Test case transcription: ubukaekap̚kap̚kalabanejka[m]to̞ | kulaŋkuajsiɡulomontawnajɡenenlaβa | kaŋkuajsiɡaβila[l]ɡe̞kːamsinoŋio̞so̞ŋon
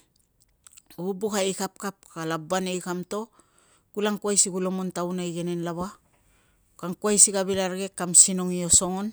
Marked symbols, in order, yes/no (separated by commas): yes, no